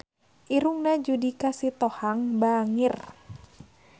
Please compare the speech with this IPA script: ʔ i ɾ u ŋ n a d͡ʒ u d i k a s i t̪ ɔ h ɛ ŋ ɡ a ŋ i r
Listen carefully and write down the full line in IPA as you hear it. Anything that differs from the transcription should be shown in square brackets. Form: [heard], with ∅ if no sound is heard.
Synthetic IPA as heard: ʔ i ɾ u ŋ n a d͡ʒ u d i k a s i t̪ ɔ h [a] ŋ [b] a ŋ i r